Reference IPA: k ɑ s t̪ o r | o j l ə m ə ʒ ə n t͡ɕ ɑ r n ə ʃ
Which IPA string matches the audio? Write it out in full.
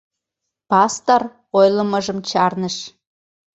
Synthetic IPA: p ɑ s t̪ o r | o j l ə m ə ʒ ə m t͡ɕ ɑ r n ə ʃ